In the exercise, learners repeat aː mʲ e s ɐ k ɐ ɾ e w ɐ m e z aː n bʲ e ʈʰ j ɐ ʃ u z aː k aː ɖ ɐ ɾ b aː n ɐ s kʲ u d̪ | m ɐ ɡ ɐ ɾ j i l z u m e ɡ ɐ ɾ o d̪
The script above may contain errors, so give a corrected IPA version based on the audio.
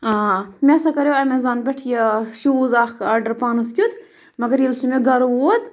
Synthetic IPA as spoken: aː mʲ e s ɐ k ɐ ɾ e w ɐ m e z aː n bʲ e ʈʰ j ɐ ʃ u z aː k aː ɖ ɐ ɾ p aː n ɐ s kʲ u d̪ | m ɐ ɡ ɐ ɾ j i l s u m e ɡ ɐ ɾ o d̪